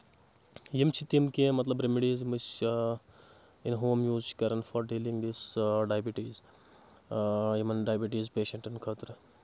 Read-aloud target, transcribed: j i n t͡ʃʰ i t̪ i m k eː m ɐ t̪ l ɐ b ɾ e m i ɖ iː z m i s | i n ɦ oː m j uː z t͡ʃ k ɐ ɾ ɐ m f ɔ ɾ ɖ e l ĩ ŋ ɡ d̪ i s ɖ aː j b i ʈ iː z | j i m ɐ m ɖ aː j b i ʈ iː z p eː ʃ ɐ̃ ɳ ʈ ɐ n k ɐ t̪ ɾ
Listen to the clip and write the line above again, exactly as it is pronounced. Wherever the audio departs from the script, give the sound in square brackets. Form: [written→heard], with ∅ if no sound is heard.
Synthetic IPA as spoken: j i [n→m] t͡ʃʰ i t̪ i m k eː m ɐ t̪ l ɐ b ɾ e m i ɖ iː z m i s | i n ɦ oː m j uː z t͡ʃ k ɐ ɾ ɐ [m→n] f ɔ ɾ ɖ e l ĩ ŋ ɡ d̪ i s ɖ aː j b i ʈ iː z | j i m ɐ [m→n] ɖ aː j b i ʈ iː z p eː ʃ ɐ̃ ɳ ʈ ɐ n [k→kʰ] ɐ t̪ ɾ